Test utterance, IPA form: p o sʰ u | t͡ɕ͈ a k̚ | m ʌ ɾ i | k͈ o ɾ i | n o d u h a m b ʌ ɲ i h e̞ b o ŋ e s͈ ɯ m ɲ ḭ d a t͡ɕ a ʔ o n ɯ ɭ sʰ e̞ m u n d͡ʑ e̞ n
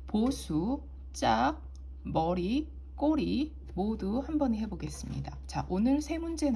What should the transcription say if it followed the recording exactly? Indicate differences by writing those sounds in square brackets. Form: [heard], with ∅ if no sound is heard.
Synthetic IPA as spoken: p o sʰ u | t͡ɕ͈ a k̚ | m ʌ ɾ i | k͈ o ɾ i | [m] o d u h a m b ʌ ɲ i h e̞ b o [ɡ] e s͈ ɯ m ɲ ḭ d a t͡ɕ a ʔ o n ɯ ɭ sʰ e̞ m u n d͡ʑ e̞ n